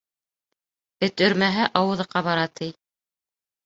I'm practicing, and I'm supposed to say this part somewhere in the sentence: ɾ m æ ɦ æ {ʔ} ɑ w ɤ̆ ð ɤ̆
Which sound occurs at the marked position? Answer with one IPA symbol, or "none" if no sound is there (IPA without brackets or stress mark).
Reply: ʔ